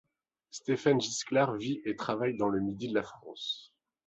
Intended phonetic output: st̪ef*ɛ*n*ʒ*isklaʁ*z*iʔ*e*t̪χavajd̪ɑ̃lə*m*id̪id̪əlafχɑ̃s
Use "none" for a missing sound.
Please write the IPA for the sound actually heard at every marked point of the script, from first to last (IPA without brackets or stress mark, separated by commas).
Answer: a, ʒ, v, e, m